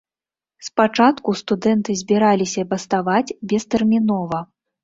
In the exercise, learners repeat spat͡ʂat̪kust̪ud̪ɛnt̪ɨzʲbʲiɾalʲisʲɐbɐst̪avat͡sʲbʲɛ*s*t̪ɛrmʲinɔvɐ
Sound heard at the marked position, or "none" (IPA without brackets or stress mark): s